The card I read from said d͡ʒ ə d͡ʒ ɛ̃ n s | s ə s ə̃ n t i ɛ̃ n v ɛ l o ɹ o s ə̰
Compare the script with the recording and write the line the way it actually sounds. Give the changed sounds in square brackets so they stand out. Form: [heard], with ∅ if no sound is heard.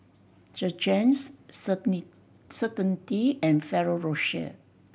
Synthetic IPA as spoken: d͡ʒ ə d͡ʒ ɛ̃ n s | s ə [t] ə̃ n t i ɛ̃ n [f] ɛ [ɹ] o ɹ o [ʃ] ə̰